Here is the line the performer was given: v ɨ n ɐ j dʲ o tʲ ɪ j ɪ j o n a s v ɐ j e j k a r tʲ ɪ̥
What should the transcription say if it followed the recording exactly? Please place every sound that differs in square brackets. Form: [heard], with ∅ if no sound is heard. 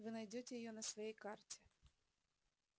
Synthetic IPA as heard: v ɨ n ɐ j dʲ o tʲ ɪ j ɪ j o n [ə] s v ɐ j e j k a r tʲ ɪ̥